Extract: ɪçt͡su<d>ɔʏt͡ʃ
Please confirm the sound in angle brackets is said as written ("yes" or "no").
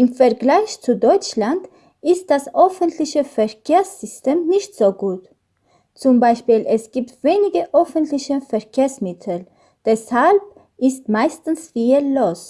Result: yes